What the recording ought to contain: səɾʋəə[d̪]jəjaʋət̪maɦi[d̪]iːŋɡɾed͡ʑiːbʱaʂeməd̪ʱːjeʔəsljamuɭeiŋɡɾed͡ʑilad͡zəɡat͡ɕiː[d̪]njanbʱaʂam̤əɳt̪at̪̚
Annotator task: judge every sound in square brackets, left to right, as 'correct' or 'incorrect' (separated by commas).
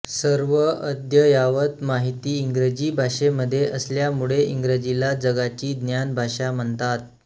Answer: correct, incorrect, correct